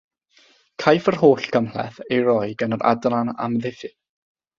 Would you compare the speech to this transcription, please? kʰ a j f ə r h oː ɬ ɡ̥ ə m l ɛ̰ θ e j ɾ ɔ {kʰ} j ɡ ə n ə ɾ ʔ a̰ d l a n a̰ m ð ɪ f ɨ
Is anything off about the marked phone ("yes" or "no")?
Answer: yes